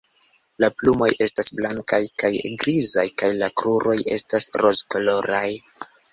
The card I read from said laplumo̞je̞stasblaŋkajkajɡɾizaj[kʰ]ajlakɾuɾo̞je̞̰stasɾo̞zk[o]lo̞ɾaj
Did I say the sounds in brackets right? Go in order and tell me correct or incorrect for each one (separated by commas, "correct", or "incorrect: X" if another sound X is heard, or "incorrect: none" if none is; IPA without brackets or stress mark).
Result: incorrect: k, correct